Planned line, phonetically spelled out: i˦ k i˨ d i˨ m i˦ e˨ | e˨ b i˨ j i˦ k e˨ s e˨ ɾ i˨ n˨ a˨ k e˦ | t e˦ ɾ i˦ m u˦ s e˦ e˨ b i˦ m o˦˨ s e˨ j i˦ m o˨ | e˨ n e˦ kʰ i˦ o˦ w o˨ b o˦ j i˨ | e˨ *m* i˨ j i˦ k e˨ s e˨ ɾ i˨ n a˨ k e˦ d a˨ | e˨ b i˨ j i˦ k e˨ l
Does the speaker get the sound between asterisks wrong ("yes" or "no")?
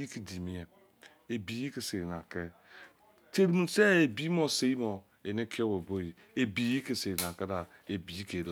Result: yes